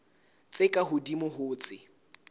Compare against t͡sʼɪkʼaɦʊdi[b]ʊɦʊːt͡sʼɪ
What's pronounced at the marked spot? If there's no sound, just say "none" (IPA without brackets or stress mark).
m